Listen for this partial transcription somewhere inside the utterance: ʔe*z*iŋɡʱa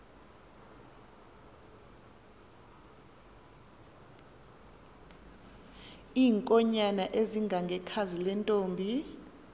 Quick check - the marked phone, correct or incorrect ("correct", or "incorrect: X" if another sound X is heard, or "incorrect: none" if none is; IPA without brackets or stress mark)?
correct